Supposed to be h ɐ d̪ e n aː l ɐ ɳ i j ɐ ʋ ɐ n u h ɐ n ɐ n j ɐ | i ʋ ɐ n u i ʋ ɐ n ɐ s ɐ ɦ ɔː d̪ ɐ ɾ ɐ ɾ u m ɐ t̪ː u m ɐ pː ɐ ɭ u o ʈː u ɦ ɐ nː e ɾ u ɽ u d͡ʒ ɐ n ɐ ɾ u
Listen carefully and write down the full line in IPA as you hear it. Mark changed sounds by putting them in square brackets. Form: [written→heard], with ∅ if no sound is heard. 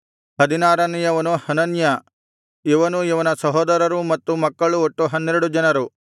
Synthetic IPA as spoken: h ɐ d̪ [e→i] n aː [l→ɾ] ɐ [ɳ→n] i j ɐ ʋ ɐ n u h ɐ n ɐ n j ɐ | i ʋ ɐ n u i ʋ ɐ n ɐ s ɐ ɦ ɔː d̪ ɐ ɾ ɐ ɾ u m ɐ t̪ː u m ɐ [pː→kː] ɐ ɭ u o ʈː u ɦ ɐ nː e ɾ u ɽ u d͡ʒ ɐ n ɐ ɾ u